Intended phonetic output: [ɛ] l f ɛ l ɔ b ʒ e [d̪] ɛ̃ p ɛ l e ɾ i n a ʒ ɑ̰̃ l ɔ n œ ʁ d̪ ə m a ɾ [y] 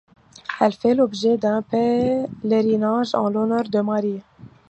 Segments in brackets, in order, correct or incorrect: correct, correct, incorrect: i

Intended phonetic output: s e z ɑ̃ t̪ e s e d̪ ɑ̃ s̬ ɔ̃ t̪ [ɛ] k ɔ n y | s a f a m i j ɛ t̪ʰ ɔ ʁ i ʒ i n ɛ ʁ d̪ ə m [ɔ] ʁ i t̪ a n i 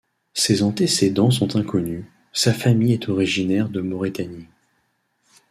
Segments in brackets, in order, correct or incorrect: incorrect: ɛ̃, correct

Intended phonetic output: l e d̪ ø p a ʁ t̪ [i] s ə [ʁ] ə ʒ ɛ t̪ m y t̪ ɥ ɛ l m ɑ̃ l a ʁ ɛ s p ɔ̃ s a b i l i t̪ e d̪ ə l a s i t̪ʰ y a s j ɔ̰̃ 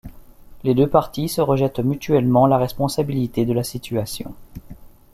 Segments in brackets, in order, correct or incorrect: correct, correct

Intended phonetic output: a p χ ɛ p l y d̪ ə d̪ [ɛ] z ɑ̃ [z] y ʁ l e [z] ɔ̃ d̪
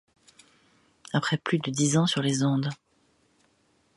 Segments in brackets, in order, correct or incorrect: incorrect: i, incorrect: s, correct

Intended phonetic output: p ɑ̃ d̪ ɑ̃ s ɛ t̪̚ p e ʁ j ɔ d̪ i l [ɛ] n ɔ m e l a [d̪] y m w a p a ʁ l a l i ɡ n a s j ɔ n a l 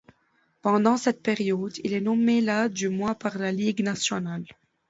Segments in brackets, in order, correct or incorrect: correct, correct

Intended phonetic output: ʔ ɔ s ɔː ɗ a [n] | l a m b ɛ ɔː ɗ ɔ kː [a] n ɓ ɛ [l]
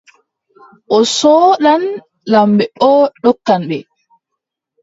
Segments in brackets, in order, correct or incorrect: correct, correct, incorrect: none

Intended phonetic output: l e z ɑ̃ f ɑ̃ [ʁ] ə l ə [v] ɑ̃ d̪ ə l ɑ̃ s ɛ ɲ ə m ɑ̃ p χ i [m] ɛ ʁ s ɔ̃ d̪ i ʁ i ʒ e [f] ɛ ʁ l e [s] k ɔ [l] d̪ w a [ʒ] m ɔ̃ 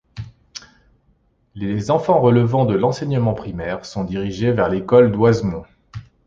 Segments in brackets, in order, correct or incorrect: correct, correct, correct, incorrect: v, incorrect: none, correct, incorrect: z

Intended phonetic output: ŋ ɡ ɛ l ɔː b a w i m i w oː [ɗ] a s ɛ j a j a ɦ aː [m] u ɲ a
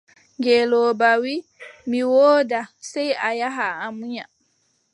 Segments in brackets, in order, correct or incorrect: incorrect: d, correct

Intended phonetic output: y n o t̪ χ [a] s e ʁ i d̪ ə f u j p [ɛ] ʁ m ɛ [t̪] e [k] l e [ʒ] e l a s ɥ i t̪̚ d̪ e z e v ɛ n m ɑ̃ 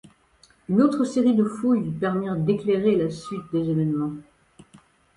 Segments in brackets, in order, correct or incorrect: incorrect: ə, correct, incorrect: d̪, correct, incorrect: ʁ

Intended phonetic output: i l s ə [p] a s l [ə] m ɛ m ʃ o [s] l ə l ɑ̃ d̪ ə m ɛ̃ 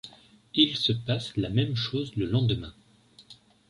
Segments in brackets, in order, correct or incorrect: correct, incorrect: a, incorrect: z

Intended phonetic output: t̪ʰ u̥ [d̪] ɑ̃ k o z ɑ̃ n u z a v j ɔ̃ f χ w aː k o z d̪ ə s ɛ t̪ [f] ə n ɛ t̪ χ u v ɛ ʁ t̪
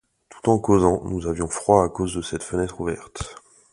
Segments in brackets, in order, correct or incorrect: incorrect: t̪, correct

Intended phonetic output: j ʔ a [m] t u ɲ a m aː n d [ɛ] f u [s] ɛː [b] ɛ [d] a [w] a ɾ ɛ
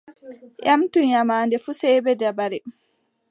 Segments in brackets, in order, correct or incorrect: correct, correct, correct, correct, correct, incorrect: b

